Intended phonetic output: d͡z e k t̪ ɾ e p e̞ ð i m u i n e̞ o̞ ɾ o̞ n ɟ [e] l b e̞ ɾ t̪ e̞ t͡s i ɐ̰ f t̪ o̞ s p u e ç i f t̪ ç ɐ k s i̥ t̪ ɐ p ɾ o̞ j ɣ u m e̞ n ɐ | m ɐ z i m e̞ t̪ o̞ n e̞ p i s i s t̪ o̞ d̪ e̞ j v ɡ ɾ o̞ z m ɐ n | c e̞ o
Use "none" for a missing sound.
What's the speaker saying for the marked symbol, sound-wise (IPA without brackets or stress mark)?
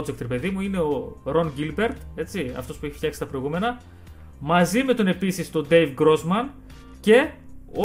i